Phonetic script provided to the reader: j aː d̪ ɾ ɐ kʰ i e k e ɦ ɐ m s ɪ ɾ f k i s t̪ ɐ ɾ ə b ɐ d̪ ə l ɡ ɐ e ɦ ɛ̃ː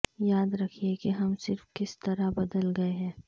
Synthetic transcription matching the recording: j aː d̪ ɾ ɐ kʰ i e k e ɦ ɐ m s ɪ ɾ f k ɪ s t̪ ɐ ɾ a b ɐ d̪ ə l ɡ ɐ e ɦ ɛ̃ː